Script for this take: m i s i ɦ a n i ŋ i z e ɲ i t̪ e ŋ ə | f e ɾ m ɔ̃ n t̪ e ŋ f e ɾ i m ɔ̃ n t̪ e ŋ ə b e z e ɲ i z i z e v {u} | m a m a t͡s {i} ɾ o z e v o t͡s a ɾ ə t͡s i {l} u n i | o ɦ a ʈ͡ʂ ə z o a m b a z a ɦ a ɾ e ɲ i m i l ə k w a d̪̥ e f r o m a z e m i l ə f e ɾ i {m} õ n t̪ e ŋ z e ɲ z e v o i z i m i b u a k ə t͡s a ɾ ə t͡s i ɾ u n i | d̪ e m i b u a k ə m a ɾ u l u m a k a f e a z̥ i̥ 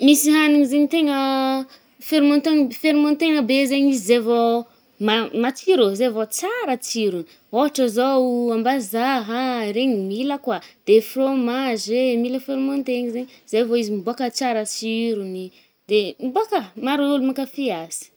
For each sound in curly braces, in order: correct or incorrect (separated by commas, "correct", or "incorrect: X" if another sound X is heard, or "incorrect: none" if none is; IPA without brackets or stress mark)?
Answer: incorrect: o, correct, incorrect: ɾ, correct